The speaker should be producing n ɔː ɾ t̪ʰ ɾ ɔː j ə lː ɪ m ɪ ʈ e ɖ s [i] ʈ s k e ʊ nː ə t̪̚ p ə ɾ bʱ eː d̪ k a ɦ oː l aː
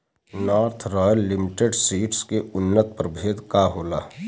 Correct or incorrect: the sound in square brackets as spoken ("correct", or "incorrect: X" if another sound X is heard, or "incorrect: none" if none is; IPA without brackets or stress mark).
incorrect: iː